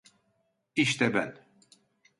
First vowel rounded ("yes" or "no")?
no